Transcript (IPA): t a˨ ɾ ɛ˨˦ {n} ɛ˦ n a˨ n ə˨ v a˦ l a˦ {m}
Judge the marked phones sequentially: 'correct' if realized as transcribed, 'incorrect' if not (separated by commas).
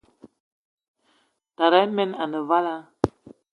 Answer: incorrect, incorrect